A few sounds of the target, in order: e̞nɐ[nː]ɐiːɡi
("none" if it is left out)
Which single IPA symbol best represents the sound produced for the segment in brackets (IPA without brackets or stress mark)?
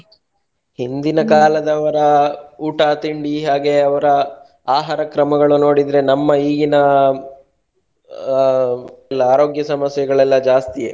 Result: mː